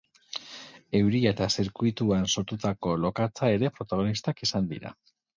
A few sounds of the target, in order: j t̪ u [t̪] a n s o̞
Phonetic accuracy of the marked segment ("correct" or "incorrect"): incorrect